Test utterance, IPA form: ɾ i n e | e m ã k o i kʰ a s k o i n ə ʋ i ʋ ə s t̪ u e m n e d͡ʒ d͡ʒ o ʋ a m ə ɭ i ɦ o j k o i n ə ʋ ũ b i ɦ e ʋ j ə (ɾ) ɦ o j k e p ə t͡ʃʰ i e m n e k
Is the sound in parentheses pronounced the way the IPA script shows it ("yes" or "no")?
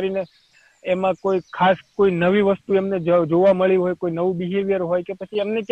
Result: yes